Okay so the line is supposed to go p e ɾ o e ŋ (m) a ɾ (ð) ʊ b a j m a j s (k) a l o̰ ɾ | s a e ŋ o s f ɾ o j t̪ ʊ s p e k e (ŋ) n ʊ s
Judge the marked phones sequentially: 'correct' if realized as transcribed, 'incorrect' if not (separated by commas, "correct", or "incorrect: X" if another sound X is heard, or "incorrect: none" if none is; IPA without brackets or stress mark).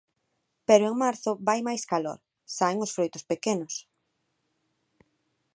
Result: correct, incorrect: θ, correct, incorrect: none